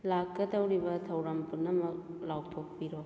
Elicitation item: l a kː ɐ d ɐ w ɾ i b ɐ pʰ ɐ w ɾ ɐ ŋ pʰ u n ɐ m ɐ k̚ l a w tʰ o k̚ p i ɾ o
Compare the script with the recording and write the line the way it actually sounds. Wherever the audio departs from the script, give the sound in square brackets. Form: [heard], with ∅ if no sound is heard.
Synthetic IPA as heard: l a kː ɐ d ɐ w ɾ i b ɐ [tʰ] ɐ w ɾ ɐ [m] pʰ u n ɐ m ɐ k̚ l a w tʰ o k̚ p i ɾ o

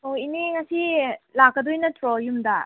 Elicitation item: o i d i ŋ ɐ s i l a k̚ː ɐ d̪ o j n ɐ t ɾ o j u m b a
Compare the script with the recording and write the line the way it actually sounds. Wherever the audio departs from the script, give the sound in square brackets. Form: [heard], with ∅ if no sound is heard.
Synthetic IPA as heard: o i [n] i ŋ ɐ s i l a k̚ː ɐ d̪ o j n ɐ t ɾ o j u m [d] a

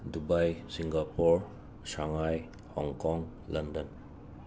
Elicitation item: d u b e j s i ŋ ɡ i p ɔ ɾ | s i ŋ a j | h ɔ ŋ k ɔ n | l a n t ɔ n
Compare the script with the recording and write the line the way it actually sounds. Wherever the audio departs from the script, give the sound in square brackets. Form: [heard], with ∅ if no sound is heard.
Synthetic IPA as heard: d u b [a] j s i ŋ ɡ [a] p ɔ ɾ | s [a] ŋ a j | h ɔ ŋ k ɔ [ŋ] | l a n [d] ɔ n

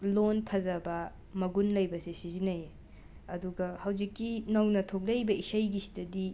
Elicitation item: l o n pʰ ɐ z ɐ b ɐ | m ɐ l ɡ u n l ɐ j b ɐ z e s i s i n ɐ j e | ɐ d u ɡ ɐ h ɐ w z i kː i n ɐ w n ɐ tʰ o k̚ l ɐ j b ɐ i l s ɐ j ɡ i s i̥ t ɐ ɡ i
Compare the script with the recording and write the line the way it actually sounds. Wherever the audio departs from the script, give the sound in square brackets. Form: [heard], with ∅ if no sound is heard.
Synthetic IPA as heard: l o n pʰ ɐ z ɐ b ɐ | m ɐ [∅] ɡ u n l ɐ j b ɐ [s] e s i [z] i n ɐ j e | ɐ d u ɡ ɐ h ɐ w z i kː i n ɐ w n ɐ tʰ o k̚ l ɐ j b ɐ i [∅] s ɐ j ɡ i s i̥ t ɐ [d] i

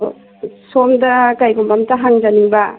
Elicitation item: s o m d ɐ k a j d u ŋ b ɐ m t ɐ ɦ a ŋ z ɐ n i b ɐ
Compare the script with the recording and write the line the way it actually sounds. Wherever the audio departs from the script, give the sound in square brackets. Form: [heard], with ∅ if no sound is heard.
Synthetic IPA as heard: s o m d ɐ k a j [ɡ] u [m] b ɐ m t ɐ ɦ a ŋ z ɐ n i b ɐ

